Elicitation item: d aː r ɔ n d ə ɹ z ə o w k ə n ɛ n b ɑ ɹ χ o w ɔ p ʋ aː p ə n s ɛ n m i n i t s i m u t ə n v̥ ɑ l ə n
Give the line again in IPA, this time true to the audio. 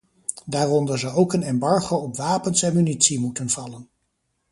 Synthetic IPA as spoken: d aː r ɔ n d ə ɹ z ə o w k ə n ɛ m b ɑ ɹ χ o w ɔ p ʋ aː p ə n s ɛ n m y n i t s i m u t ə n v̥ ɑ l ə n